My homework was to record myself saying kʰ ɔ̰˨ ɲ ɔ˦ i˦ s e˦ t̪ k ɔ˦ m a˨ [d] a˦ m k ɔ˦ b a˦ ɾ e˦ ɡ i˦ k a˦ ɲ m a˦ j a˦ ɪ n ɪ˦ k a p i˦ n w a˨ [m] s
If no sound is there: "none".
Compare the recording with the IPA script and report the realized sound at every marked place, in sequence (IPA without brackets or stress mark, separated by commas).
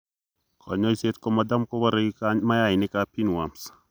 d, m